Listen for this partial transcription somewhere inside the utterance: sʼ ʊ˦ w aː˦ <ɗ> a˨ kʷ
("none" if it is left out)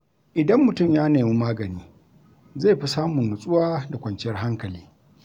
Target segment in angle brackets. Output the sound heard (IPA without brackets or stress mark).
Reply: d